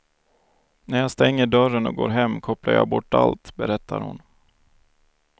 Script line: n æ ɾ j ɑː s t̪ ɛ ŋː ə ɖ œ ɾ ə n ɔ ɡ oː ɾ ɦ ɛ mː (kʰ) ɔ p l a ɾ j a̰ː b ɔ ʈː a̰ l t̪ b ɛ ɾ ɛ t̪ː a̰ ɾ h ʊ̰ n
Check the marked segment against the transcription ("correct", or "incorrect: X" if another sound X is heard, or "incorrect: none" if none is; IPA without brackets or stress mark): correct